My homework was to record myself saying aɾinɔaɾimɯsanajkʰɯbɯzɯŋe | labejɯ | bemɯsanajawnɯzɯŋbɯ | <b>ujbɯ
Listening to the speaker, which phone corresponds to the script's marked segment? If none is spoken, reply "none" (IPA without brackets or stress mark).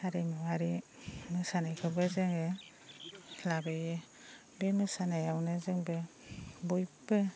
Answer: b